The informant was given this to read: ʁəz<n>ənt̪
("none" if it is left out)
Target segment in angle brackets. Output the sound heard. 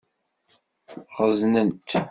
n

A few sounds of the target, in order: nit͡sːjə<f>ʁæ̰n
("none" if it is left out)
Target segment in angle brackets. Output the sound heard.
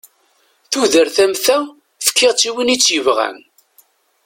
v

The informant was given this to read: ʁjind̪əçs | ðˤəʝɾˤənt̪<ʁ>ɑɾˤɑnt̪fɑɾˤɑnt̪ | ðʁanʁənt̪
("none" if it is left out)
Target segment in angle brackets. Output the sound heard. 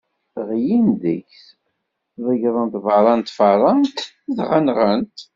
v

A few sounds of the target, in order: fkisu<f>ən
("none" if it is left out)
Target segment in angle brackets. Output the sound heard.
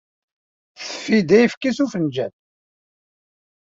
f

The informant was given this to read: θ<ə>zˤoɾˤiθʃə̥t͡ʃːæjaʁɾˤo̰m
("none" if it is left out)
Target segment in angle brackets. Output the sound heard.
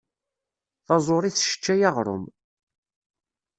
ɑ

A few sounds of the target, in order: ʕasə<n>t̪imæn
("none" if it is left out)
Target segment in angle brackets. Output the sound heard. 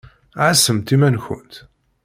m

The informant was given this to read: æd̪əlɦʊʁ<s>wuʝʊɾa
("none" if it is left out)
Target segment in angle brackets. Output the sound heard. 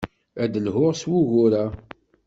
s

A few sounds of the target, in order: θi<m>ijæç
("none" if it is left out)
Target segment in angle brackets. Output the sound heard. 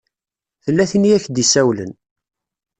n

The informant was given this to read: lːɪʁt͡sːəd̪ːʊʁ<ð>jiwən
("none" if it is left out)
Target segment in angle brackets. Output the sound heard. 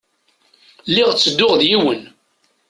ð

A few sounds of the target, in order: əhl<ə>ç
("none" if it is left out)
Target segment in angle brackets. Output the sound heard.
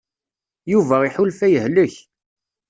ə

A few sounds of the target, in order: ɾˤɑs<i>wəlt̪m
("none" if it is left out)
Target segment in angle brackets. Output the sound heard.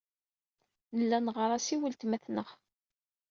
i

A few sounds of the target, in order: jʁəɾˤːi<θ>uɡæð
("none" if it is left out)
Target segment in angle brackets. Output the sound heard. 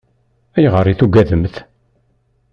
θ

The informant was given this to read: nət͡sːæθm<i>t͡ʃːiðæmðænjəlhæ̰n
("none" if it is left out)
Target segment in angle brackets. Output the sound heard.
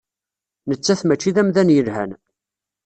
æ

